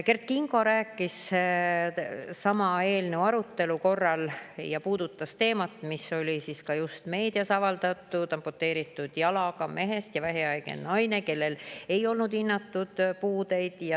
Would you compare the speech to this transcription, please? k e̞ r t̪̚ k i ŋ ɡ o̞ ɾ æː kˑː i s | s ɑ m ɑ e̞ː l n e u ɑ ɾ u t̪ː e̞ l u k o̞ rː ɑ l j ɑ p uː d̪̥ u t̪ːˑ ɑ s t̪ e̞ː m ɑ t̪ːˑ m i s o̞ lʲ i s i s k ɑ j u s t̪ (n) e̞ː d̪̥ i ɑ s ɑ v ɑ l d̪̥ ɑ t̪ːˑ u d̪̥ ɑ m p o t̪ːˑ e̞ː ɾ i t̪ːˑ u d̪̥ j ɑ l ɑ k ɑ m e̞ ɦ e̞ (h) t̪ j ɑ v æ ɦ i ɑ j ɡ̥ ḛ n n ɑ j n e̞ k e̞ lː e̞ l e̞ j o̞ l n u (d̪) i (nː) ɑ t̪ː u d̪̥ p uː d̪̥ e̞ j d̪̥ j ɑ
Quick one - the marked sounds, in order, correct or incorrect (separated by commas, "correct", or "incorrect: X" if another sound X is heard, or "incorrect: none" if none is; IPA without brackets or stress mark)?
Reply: incorrect: m, incorrect: s, correct, correct